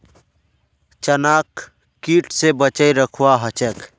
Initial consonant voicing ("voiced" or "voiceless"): voiceless